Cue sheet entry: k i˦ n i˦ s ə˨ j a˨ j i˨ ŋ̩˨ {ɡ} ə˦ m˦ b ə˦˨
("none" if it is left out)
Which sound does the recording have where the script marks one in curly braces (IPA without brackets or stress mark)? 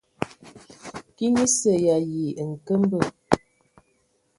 k